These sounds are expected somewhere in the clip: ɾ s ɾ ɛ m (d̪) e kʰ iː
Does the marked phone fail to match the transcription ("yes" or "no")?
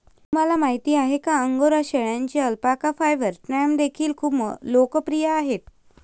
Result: no